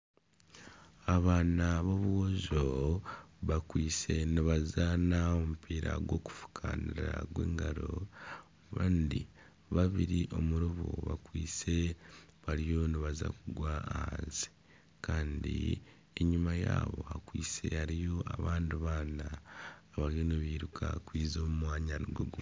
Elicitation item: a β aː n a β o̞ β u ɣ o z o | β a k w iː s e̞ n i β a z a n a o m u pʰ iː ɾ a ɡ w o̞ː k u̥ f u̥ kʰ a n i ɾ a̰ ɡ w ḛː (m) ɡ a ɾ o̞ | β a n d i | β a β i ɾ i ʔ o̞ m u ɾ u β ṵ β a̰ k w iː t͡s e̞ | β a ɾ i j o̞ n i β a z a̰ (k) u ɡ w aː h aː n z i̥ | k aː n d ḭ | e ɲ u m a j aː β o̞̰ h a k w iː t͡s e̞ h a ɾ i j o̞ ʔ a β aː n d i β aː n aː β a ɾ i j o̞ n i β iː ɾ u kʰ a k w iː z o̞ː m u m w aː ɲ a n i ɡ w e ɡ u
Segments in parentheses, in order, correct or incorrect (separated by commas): incorrect, correct